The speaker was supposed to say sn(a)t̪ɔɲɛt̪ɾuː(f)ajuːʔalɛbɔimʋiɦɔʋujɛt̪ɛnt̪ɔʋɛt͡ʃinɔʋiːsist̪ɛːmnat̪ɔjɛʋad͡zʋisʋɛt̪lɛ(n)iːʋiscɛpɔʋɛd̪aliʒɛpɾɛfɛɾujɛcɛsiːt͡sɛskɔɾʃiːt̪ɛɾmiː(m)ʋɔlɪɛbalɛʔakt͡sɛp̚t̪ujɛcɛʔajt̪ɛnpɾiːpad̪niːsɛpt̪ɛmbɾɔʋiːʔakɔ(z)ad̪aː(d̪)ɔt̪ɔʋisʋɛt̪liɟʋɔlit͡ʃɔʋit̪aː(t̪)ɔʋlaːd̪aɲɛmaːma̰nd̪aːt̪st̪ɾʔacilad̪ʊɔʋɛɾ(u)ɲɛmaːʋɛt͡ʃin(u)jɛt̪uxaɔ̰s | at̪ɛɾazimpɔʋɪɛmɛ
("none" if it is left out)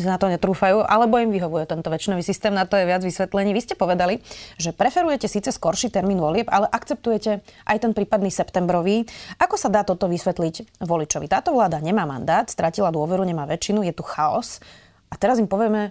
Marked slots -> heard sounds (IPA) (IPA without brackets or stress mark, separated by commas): a, f, ɲ, n, s, t̪, t̪, u, u